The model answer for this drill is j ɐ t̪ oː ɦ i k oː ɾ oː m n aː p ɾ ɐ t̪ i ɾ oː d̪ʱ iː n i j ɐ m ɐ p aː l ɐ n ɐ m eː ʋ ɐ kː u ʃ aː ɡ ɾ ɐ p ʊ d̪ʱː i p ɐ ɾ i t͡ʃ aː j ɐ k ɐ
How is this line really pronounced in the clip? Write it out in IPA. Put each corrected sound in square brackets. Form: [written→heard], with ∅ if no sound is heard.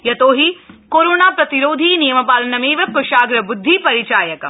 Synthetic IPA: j ɐ t̪ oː ɦ i k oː ɾ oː [m→∅] n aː p ɾ ɐ t̪ i ɾ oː d̪ʱ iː n i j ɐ m ɐ p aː l ɐ n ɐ m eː ʋ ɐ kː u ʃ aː ɡ ɾ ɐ [p→b] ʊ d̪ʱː i p ɐ ɾ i t͡ʃ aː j ɐ k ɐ